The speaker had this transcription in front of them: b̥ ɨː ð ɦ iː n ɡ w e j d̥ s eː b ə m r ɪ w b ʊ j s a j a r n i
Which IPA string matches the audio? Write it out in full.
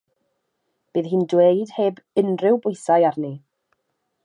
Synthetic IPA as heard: b̥ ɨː ð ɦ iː n d w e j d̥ h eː b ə n r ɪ w b ʊ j s a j a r n i